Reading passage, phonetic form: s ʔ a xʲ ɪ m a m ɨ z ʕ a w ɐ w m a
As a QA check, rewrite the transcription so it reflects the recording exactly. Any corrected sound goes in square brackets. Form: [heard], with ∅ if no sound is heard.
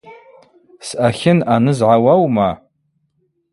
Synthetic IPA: s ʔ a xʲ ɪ [n] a [n] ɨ z ʕ a w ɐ w m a